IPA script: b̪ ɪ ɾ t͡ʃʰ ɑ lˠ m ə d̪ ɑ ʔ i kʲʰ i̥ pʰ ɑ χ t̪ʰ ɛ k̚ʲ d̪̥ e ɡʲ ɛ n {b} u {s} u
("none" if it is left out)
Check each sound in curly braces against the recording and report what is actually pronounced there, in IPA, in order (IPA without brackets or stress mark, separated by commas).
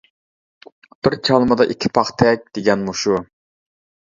m, ʃ